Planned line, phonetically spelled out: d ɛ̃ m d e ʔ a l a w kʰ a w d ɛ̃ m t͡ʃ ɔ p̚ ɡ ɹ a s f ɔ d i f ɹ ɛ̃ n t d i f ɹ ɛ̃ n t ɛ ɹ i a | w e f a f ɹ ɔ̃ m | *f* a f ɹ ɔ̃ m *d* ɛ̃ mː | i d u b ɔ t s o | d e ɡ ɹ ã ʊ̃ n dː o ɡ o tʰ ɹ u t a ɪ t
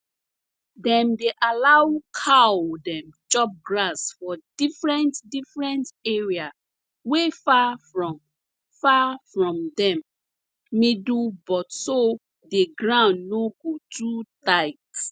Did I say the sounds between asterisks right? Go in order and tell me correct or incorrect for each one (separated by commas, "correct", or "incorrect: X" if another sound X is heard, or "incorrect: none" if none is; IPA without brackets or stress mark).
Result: correct, correct